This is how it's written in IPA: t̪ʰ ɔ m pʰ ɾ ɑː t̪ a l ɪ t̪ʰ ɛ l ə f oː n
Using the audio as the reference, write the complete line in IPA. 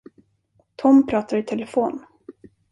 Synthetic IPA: t̪ʰ ɔ m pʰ ɾ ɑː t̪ a ɾ ɪ t̪ʰ ɛ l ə f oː n